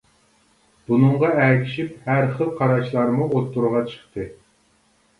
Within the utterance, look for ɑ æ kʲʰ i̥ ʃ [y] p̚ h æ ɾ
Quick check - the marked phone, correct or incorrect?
incorrect